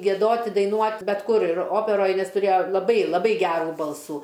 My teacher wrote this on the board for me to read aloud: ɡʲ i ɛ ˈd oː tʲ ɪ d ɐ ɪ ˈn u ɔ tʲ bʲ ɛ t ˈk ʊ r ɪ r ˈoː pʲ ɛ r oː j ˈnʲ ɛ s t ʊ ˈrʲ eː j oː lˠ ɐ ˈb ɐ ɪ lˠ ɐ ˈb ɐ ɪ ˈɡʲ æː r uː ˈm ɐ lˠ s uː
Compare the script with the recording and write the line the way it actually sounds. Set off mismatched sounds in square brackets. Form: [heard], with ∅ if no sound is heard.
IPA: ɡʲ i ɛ ˈd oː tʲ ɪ d ɐ ɪ ˈn u ɔ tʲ bʲ ɛ t ˈk ʊ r ɪ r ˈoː pʲ ɛ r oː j ˈnʲ ɛ s t ʊ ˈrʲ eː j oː lˠ ɐ ˈb ɐ ɪ lˠ ɐ ˈb ɐ ɪ ˈɡʲ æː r uː [ˈb] ɐ lˠ s uː